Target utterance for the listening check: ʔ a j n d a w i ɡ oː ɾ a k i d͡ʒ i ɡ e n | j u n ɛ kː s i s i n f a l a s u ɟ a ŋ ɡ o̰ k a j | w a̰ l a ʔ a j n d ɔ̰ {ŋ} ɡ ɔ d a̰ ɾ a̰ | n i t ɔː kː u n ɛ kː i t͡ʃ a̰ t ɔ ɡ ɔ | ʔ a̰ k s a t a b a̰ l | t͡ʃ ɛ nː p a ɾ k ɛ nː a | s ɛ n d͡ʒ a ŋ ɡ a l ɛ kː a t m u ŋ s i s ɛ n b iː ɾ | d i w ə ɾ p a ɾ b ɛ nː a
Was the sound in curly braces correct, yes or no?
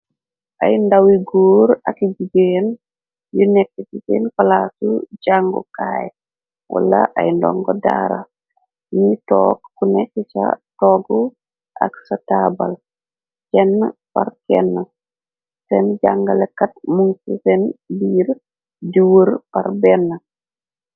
yes